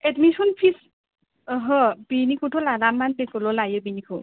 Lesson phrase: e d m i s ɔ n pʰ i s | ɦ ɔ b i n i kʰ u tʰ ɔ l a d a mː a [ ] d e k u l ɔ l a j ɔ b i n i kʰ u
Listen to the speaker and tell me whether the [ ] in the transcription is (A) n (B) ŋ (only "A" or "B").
A